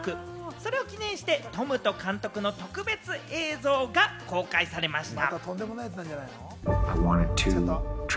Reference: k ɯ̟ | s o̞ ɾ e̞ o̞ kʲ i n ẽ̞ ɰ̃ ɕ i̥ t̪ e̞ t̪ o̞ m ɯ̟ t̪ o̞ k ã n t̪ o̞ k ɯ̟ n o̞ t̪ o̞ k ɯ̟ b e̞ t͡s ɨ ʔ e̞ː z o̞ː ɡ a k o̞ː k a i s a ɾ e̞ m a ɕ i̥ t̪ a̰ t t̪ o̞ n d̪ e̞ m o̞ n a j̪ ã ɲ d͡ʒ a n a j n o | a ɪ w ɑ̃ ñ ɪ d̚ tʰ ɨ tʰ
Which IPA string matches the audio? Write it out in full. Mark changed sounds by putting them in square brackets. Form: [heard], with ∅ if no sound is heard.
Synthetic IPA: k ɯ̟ | s o̞ ɾ e̞ o̞ kʲ i n ẽ̞ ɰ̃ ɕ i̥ t̪ e̞ t̪ o̞ m ɯ̟ t̪ o̞ k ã n t̪ o̞ k ɯ̟ n o̞ t̪ o̞ k ɯ̟ b e̞ t͡s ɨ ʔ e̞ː z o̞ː ɡ a k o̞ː k a i s a ɾ e̞ m a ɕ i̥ t̪ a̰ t t̪ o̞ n d̪ e̞ m o̞ n a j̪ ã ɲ d͡ʒ a n a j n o | a ɪ w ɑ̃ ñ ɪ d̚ tʰ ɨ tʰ